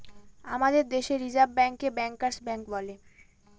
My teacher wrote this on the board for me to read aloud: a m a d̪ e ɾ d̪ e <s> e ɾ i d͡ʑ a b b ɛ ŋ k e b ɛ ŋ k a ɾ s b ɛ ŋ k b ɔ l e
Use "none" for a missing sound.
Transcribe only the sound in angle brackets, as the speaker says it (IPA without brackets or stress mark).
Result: ʃ